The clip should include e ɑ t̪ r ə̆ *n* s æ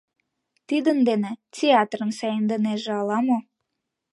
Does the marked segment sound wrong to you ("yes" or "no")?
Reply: no